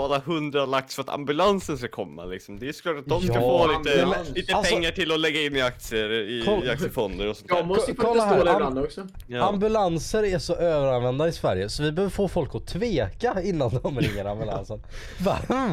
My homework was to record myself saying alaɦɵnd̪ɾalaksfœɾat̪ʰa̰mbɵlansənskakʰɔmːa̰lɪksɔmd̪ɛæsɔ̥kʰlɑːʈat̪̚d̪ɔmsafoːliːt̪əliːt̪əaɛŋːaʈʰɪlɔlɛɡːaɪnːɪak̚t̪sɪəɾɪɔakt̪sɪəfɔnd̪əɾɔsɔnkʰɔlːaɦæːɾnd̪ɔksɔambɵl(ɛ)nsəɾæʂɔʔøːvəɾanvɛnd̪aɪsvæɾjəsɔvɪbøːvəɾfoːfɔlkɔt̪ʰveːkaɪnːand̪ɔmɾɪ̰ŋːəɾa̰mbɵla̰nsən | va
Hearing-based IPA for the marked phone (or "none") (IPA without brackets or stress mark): a